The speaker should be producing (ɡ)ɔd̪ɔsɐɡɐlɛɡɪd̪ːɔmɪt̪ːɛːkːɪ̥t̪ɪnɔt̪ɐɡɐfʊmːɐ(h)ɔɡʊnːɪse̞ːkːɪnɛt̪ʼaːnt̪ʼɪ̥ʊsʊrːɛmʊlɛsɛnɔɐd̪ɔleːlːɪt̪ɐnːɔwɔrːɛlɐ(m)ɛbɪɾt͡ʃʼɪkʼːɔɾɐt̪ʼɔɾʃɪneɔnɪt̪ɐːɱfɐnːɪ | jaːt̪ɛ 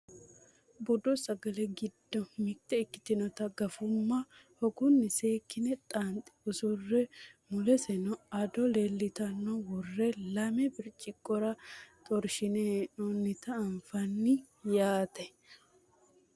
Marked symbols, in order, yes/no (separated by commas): no, yes, yes